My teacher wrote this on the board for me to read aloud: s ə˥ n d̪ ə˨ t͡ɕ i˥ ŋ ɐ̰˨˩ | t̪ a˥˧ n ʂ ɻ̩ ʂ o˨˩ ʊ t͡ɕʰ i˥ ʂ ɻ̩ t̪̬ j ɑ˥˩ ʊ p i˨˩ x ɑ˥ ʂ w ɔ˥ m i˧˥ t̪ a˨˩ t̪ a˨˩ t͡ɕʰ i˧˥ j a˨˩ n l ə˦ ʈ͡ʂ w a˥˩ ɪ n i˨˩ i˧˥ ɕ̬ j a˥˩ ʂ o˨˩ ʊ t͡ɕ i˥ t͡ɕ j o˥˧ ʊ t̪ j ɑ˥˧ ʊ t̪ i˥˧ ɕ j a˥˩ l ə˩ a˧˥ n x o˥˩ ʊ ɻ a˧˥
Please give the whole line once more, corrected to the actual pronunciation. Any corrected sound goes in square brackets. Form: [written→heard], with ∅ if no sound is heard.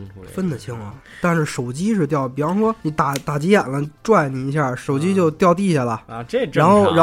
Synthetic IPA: [s→f] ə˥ n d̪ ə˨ [t͡ɕ→t͡ɕʰ] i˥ ŋ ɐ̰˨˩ | t̪ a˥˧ n ʂ ɻ̩ ʂ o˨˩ ʊ [t͡ɕʰ→t͡ɕ] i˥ ʂ ɻ̩ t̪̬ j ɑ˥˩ ʊ p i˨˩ [x→f] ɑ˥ ʂ w ɔ˥ [m→n] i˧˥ t̪ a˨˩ t̪ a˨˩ [t͡ɕʰ→t͡ɕ] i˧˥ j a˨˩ n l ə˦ ʈ͡ʂ w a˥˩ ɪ n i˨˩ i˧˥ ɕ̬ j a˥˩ ʂ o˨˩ ʊ t͡ɕ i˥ t͡ɕ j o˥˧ ʊ t̪ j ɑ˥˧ ʊ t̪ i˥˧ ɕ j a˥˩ l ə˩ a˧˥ n x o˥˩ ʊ ɻ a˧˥